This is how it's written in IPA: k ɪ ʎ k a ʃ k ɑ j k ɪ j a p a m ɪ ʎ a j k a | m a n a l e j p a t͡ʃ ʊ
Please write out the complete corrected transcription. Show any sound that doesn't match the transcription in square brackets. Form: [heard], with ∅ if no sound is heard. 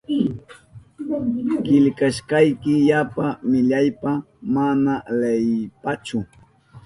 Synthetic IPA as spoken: k ɪ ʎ k a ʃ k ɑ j k ɪ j a p a m ɪ ʎ a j [p] a | m a n a l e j p a t͡ʃ ʊ